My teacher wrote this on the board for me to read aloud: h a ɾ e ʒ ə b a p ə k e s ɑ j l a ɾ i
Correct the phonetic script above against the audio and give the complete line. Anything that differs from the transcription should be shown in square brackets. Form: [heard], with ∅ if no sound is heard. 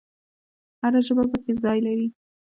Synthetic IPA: h a ɾ [a] ʒ ə b a p ə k e [z] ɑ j l a ɾ i